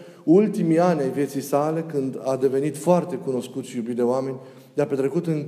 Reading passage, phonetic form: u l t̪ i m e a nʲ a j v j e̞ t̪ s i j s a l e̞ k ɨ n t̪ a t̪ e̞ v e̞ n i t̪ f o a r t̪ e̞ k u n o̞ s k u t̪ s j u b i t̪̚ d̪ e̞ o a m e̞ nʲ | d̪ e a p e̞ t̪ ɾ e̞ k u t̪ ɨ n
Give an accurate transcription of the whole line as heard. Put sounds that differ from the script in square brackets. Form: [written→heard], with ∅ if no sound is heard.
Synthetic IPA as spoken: u l t̪ i m [e→i] a nʲ a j v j e̞ t̪ s i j s a l e̞ k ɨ n [t̪→d̪] a [t̪→d̪] e̞ v e̞ n i t̪ f o a r t̪ e̞ k u n o̞ s k u t̪ s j u b i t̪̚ d̪ e̞ o a m e̞ nʲ | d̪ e a p e̞ t̪ ɾ e̞ k u t̪ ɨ n